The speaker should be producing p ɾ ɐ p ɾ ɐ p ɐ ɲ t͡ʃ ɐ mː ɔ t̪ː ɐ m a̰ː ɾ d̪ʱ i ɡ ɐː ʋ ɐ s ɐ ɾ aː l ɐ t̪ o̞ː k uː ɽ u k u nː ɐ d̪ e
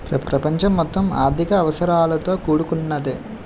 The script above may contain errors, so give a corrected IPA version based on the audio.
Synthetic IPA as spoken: p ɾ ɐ p ɾ ɐ p ɐ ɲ t͡ʃ ɐ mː ɔ t̪ː ɐ m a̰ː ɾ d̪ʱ i k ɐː ʋ ɐ s ɐ ɾ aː l ɐ t̪ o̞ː k uː ɽ u k u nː ɐ d̪ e

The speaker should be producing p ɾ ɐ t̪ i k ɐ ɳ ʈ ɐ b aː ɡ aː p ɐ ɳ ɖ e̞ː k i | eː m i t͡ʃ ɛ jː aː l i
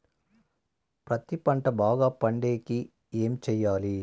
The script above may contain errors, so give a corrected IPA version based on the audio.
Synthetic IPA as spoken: p ɾ ɐ t̪ i p ɐ ɳ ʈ ɐ b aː ɡ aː p ɐ ɳ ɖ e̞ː k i | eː m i t͡ʃ ɛ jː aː l i

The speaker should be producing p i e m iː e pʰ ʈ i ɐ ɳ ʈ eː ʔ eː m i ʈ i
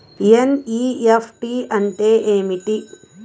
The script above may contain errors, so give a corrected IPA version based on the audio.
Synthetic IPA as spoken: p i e n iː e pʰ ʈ i ɐ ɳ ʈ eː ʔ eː m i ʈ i

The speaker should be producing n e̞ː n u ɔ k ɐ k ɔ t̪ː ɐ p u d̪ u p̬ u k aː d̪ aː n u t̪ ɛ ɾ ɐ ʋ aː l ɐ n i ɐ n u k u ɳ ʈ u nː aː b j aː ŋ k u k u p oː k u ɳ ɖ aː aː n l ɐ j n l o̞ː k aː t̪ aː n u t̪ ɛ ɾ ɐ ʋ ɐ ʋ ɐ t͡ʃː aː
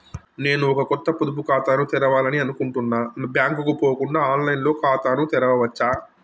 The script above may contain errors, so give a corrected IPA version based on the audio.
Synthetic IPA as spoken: n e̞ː n u ɔ k ɐ k ɔ t̪ː ɐ p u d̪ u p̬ u k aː t̪ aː n u t̪ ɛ ɾ ɐ ʋ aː l ɐ n i ɐ n u k u ɳ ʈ u nː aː b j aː ŋ k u k u p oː k u ɳ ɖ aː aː n l ɐ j n l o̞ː k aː t̪ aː n u t̪ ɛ ɾ ɐ ʋ ɐ ʋ ɐ t͡ʃː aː

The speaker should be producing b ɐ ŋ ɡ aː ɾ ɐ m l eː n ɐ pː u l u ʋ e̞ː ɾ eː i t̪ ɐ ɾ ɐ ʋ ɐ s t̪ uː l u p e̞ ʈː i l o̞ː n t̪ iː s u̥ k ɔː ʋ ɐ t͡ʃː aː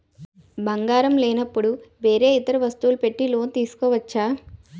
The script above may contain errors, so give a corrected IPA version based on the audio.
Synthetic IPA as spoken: b ɐ ŋ ɡ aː ɾ ɐ m l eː n ɐ pː u ɽ u ʋ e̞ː ɾ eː i t̪ ɐ ɾ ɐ ʋ ɐ s t̪ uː l u p e̞ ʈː i l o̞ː n t̪ iː s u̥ k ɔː ʋ ɐ t͡ʃː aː

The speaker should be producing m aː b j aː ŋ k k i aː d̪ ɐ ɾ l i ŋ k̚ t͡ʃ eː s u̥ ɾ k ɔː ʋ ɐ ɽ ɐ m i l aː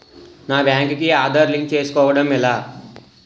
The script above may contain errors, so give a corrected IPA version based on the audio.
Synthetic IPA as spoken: n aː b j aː ŋ k k i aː d̪ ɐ ɾ l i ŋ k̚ t͡ʃ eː s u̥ k ɔː ʋ ɐ ɽ ɐ m i l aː

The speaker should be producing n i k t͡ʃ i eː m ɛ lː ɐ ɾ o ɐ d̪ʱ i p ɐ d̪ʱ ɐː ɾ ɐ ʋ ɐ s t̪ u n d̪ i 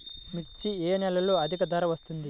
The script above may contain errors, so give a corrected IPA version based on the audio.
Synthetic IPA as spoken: m i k t͡ʃ i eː n ɛ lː ɐ l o ɐ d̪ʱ i k ɐ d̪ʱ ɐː ɾ ɐ ʋ ɐ s t̪ u n d̪ i

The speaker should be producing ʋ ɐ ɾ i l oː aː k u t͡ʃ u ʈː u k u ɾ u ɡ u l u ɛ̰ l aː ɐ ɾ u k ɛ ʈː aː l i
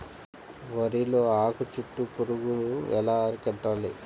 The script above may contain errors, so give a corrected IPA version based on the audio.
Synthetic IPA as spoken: ʋ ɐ ɾ i l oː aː k u t͡ʃ u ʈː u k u ɾ u ɡ u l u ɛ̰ l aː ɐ ɾ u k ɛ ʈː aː l i

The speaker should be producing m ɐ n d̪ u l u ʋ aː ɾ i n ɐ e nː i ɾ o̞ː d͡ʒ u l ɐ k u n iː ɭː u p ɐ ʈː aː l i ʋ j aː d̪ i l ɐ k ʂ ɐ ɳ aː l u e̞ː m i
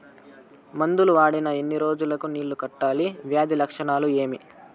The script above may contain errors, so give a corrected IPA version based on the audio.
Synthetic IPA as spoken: m ɐ n d̪ u l u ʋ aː ɽ i n ɐ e nː i ɾ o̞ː d͡ʒ u l ɐ k u n iː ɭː u k ɐ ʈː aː l i ʋ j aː d̪ i l ɐ k ʂ ɐ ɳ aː l u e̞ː m i

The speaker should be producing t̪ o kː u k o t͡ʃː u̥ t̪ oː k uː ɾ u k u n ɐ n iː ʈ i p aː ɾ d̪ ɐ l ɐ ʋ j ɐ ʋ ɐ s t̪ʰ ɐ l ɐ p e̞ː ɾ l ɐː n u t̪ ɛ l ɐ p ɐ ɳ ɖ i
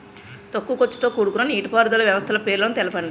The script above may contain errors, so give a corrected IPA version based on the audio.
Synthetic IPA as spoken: t̪ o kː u k o t͡ʃː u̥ t̪ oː k uː ɽ u k u n ɐ n iː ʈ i p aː ɾ d̪ ɐ l ɐ ʋ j ɐ ʋ ɐ s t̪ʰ ɐ l ɐ p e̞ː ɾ l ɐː n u t̪ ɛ l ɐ p ɐ ɳ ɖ i

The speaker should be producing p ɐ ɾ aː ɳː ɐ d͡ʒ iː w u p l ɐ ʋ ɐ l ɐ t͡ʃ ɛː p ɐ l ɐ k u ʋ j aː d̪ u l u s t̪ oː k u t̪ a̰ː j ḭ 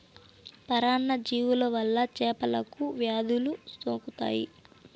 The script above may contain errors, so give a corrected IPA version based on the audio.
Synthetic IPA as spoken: p ɐ ɾ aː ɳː ɐ d͡ʒ iː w u l ɐ ʋ ɐ lː ɐ t͡ʃ ɛː p ɐ l ɐ k u ʋ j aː d̪ u l u s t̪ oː k u t̪ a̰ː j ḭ

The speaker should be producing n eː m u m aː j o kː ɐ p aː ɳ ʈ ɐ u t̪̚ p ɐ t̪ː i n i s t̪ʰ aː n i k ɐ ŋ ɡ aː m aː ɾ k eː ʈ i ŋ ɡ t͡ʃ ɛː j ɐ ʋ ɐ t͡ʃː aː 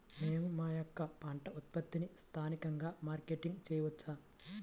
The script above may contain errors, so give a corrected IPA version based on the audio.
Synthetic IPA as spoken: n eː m u m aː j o kː ɐ p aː ɳ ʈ ɐ u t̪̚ p ɐ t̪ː i n i s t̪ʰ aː n i k ɐ ŋ ɡ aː m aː ɾ k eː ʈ i ŋ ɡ t͡ʃ ɛː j ɐ ʋ ɐ t͡ʃː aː

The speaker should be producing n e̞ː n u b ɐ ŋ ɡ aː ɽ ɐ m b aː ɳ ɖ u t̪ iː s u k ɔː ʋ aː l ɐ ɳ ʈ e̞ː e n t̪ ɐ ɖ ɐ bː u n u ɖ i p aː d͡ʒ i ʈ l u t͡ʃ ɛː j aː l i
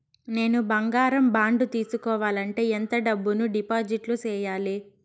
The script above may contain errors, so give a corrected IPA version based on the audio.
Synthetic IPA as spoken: n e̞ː n u b ɐ ŋ ɡ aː ɾ ɐ m b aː ɳ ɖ u t̪ iː s u k ɔː ʋ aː l ɐ ɳ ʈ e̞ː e n t̪ ɐ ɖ ɐ bː u n u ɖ i p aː d͡ʒ i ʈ l u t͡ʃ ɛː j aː l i

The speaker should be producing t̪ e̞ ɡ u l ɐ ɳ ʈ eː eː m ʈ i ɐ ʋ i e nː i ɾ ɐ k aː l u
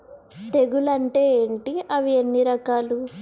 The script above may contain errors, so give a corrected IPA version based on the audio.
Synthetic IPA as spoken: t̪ e̞ ɡ u l ɐ ɳ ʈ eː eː ɳ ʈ i ɐ ʋ i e nː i ɾ ɐ k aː l u

